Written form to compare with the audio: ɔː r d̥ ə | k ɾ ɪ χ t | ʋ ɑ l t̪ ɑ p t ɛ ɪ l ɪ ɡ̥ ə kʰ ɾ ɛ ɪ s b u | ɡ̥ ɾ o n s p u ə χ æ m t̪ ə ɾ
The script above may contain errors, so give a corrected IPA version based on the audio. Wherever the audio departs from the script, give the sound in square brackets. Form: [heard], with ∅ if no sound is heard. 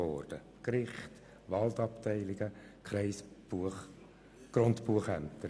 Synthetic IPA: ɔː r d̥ ə | k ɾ ɪ χ t | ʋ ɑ l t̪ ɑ p t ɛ ɪ l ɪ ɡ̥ ə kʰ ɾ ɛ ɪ s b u | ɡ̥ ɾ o n [t] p u ə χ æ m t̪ ə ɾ

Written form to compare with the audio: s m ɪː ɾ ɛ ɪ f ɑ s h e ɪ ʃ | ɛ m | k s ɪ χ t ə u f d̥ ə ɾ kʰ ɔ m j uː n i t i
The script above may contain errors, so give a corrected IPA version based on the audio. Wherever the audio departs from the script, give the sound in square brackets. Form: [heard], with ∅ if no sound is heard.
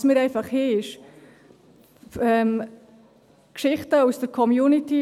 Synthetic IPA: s m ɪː ɾ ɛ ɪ f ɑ [χ] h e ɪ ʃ | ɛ m | k [ʃ] ɪ χ t ə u [s] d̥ ə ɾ kʰ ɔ m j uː n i t i

